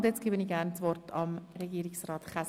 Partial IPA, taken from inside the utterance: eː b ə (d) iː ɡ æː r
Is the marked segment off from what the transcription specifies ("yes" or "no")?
yes